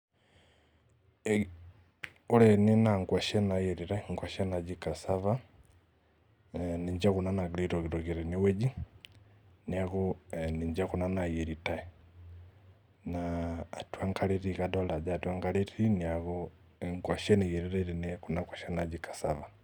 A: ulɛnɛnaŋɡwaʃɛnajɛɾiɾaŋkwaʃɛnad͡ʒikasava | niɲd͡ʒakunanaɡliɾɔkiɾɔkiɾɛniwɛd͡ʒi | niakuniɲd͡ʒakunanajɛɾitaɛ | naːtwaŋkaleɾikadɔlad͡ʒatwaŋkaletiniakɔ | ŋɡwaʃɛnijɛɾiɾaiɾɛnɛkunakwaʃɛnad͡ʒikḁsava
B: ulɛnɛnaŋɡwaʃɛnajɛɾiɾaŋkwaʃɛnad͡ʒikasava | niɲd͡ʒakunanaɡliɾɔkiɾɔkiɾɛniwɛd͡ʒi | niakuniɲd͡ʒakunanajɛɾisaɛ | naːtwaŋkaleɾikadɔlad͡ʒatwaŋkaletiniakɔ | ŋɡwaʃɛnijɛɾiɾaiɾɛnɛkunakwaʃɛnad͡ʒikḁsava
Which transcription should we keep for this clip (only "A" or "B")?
A